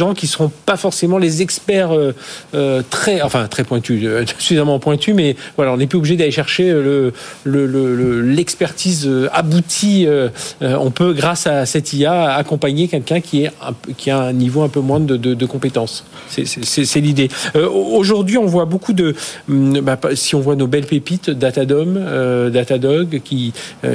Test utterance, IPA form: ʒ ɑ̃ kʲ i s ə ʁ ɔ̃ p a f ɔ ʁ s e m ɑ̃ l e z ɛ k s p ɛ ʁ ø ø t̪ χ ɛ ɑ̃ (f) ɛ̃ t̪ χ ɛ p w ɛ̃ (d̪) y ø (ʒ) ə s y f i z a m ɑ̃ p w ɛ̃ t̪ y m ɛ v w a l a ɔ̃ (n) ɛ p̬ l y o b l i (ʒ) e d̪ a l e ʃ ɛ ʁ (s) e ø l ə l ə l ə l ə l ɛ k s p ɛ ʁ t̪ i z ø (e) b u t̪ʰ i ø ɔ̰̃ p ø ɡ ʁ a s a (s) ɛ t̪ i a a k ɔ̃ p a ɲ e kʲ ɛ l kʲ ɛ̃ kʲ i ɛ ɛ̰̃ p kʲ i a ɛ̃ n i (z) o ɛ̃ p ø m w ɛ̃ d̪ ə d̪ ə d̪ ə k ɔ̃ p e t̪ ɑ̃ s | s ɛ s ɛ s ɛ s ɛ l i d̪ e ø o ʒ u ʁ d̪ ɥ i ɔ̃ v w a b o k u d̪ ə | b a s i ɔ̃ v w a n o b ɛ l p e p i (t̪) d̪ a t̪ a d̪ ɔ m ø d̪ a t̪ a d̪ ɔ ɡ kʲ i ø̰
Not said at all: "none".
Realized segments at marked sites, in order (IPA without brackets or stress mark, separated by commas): f, t̪, ʒ, n, ʒ, ʃ, a, s, v, t̪